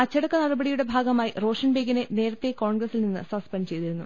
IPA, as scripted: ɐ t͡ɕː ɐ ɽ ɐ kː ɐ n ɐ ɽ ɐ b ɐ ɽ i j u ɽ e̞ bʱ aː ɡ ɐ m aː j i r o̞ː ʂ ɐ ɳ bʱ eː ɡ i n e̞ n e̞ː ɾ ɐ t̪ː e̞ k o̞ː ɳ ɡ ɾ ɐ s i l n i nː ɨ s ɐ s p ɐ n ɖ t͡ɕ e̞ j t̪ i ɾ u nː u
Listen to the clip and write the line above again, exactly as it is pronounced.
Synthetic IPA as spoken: ɐ t͡ɕː ɐ ɽ ɐ kː ɐ n ɐ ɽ ɐ b ɐ ɽ i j u ɽ e̞ bʱ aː ɡ ɐ m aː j i r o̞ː ʂ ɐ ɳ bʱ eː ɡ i n e̞ n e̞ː ɾ ɐ t̪ː e̞ k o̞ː ɳ ɡ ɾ ɐ s i l n i nː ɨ s ɐ s p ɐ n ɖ t͡ɕ e̞ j t̪ i ɾ u nː u